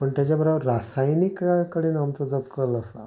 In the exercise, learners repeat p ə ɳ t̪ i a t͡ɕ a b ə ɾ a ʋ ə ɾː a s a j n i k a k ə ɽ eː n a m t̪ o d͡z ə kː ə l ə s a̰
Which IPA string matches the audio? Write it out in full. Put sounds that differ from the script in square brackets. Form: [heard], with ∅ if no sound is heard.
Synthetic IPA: p ə ɳ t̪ [j] a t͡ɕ a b ə ɾ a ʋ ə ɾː a s a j n i k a k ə ɽ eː n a m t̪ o d͡z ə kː ə l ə s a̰